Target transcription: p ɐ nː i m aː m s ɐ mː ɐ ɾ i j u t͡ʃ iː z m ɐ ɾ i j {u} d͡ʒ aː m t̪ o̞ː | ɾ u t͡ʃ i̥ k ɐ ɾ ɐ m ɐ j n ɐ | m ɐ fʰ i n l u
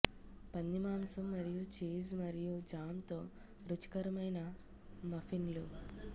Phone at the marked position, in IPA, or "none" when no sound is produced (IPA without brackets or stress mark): u